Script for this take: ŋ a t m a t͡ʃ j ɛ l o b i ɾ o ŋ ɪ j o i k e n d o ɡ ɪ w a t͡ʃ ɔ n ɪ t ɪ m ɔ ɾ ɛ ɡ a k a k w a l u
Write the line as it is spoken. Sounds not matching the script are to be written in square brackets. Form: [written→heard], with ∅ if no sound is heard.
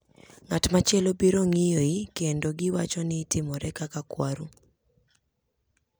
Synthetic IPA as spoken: ŋ a t m a t͡ʃ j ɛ l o b i ɾ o ŋ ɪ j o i k e n d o ɡ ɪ w a t͡ʃ ɔ n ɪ t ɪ m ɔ ɾ ɛ [ɡ→k] a k a k w a [l→ɾ] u